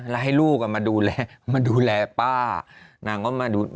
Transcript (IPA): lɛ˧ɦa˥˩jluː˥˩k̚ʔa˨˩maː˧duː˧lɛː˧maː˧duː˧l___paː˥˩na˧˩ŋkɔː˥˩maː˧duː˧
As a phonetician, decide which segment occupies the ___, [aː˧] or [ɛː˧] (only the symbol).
ɛː˧